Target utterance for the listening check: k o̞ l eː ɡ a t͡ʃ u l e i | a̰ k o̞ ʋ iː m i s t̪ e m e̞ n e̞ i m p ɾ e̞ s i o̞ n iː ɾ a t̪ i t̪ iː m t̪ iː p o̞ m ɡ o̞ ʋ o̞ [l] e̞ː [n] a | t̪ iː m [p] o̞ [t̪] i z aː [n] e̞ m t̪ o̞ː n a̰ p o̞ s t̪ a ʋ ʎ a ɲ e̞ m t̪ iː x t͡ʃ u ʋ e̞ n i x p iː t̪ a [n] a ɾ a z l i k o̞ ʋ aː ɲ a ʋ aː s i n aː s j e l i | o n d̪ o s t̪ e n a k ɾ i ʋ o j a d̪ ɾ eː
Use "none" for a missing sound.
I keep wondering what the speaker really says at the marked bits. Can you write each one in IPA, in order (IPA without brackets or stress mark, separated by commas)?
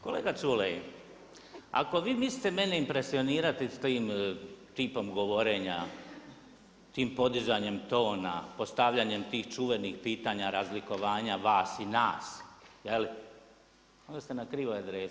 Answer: ɾ, ɲ, p, d̪, ɲ, ɲ